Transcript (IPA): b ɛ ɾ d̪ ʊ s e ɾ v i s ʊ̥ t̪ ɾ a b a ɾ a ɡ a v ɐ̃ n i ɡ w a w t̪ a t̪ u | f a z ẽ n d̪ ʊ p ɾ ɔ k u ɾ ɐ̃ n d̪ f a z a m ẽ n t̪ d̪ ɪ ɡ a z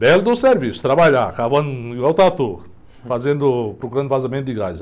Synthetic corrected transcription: b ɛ l d̪ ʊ s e ɾ v i s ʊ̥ t̪ ɾ a b a ʎ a k a v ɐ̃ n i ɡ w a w t̪ a t̪ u | f a z ẽ n d̪ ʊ p ɾ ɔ k u ɾ ɐ̃ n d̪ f a z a m ẽ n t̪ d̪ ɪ ɡ a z